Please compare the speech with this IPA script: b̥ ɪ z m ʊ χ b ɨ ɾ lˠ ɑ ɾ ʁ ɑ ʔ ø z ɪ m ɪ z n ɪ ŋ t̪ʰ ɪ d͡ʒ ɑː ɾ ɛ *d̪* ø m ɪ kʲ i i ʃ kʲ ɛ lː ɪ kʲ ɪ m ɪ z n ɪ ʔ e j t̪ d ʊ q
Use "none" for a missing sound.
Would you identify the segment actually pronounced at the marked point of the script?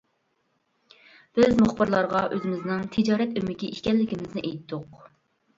t̪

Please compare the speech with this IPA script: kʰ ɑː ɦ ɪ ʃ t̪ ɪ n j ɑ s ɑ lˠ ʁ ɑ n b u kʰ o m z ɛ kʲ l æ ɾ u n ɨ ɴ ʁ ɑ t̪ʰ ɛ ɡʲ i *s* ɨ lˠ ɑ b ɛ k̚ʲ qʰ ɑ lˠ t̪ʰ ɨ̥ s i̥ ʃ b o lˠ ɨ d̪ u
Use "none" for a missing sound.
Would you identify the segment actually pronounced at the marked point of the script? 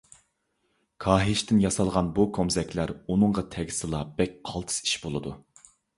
s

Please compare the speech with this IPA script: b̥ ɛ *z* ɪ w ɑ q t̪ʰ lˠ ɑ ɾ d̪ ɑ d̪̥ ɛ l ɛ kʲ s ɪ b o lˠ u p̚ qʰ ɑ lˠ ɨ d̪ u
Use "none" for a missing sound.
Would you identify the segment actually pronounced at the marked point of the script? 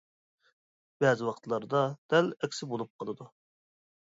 z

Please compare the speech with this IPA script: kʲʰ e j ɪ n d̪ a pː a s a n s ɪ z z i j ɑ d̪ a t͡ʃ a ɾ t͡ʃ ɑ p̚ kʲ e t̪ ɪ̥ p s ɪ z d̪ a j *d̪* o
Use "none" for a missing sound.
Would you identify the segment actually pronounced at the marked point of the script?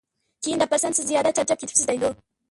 d̪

